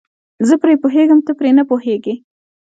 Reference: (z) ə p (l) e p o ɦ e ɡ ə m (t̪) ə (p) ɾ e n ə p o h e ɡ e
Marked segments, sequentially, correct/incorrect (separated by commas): correct, incorrect, correct, correct